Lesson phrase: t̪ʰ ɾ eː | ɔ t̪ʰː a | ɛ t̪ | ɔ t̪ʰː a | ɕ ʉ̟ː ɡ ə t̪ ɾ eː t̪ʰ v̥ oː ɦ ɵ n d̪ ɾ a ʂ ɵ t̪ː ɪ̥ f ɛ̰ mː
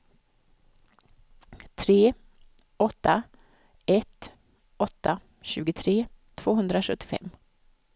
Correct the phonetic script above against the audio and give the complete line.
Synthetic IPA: t̪ʰ ɾ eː | ɔ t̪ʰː a | ɛ t̪ | ɔ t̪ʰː a | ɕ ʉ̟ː ɡ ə t̪ʰ ɾ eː t̪ʰ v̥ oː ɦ ɵ n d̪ ɾ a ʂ ɵ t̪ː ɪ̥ f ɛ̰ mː